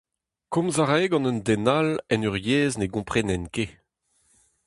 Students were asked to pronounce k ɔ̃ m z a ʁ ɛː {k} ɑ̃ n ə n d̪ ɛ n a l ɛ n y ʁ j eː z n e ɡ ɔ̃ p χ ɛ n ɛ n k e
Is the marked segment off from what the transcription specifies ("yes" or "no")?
yes